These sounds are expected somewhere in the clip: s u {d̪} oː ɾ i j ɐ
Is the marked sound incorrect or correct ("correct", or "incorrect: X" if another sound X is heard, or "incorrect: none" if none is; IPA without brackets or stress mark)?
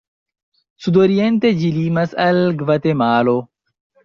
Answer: correct